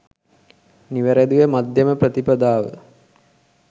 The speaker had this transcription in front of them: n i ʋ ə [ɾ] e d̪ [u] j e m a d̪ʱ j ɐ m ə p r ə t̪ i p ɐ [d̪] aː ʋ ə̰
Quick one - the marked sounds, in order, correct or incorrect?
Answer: correct, correct, correct

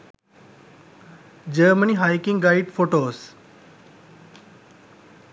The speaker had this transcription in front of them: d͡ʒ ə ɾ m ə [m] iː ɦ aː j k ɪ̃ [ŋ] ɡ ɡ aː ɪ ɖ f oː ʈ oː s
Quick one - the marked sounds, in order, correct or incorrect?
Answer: incorrect: n, correct

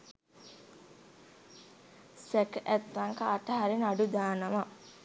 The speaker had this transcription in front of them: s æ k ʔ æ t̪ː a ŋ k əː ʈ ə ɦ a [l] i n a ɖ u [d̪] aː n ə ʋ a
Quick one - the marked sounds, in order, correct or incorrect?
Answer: incorrect: ɾ, correct

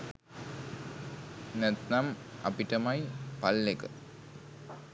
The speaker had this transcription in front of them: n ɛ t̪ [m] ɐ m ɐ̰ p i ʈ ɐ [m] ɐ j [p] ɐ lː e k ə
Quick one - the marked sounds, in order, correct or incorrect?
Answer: incorrect: n, correct, correct

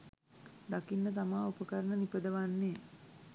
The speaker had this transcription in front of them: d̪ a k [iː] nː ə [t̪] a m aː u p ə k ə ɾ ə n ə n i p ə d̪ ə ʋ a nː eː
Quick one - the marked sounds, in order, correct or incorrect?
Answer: incorrect: i, correct

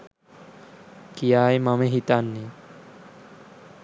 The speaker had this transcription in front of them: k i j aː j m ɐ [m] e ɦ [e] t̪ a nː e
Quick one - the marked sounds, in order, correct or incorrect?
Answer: correct, incorrect: i

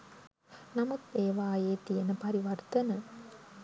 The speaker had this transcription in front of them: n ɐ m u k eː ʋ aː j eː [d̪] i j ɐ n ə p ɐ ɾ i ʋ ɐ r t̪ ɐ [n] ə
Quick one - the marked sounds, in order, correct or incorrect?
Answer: incorrect: t̪, correct

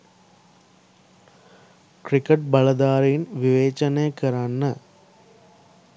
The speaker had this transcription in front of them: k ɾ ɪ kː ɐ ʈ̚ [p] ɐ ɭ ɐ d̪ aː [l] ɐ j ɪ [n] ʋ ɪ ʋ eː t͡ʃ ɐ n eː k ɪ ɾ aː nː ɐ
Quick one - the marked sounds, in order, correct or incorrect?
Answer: incorrect: b, incorrect: ɾ, correct

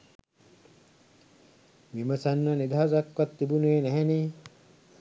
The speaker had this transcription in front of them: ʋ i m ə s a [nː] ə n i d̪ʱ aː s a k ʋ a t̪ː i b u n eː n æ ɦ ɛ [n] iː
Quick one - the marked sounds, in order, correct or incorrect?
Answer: correct, correct

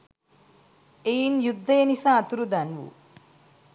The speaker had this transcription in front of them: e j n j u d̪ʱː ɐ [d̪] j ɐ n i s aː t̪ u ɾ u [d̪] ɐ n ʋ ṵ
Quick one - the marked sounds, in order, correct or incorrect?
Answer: incorrect: none, correct

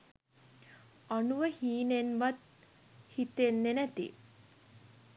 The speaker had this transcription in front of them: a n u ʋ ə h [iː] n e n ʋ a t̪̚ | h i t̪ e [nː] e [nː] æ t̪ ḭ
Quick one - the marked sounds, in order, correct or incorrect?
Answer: correct, correct, incorrect: n

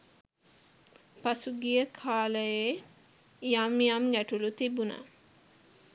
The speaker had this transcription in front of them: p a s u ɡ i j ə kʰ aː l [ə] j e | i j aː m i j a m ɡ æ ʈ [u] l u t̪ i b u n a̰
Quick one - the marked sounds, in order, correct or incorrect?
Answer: correct, correct

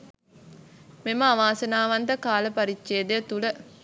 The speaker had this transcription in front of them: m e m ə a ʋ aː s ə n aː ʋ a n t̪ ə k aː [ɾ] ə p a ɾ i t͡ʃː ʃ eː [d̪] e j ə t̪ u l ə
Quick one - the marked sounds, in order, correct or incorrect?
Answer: incorrect: l, correct

